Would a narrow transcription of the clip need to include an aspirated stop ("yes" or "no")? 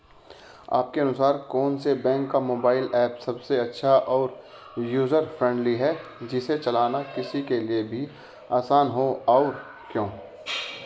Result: no